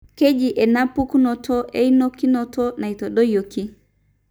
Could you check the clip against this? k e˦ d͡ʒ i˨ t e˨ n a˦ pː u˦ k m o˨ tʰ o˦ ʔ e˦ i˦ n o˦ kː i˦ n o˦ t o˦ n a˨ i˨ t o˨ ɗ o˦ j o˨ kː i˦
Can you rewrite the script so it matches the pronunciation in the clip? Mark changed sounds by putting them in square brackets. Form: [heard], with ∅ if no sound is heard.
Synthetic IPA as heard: k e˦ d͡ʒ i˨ [ʔ] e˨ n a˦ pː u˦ k [n] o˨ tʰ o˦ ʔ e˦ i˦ n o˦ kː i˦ n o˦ t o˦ n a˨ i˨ t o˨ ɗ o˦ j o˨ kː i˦